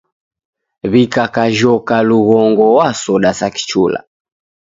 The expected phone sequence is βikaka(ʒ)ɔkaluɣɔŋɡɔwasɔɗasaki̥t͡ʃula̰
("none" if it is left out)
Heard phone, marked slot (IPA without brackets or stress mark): ʒ